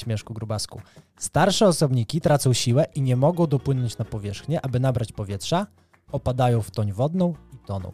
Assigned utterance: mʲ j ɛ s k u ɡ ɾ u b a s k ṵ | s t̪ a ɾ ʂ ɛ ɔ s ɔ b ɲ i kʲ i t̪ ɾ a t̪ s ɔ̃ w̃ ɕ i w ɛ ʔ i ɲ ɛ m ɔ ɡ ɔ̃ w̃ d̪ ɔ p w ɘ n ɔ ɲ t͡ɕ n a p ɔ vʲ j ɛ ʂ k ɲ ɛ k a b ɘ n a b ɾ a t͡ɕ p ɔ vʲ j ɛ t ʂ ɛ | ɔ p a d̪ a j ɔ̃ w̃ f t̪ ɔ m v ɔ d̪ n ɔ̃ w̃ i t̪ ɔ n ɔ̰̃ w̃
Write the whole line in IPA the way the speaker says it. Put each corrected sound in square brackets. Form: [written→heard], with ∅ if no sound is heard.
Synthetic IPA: mʲ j ɛ [s→ʂ] k u ɡ ɾ u b a s k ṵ | s t̪ a ɾ ʂ ɛ ɔ s ɔ b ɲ i kʲ i t̪ ɾ a t̪ s ɔ̃ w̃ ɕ i w ɛ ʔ i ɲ ɛ m ɔ ɡ ɔ̃ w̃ d̪ ɔ p w ɘ n ɔ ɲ t͡ɕ n a p ɔ vʲ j ɛ ʂ [k→x] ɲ ɛ [k→ʔ] a b ɘ n a b ɾ a t͡ɕ p ɔ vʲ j ɛ t ʂ [ɛ→a] | ɔ p a d̪ a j ɔ̃ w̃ f t̪ ɔ [m→ɲ] v ɔ d̪ n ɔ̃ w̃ i t̪ ɔ n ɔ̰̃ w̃